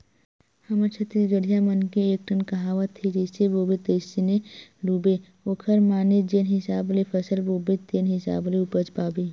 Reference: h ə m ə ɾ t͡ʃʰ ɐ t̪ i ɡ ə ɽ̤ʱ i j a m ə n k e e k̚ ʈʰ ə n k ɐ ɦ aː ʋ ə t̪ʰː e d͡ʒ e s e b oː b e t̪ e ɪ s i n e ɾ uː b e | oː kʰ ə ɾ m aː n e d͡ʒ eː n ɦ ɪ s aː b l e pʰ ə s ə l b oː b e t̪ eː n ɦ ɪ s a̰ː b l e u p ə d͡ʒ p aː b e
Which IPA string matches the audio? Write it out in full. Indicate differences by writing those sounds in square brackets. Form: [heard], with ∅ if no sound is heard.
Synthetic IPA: h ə m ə ɾ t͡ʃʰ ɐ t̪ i ɡ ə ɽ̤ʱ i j a m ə n k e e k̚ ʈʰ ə n k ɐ ɦ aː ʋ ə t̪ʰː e d͡ʒ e s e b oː b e t̪ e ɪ s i n e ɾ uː b e | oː kʰ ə ɾ m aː n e d͡ʒ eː n ɦ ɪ s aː b l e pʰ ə s ə l b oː b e t̪ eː n ɦ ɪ s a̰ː b l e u p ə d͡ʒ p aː b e